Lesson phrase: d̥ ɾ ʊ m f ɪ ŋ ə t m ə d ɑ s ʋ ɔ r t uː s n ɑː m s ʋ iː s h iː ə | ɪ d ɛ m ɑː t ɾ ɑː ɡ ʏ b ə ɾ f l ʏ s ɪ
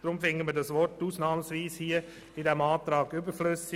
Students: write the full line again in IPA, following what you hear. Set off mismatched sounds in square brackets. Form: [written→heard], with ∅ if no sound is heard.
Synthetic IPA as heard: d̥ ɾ ʊ m f ɪ ŋ ə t m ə d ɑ s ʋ ɔ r t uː s n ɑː m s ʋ iː s h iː ə | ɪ d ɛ m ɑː t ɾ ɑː ɡ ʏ b ə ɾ f l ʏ s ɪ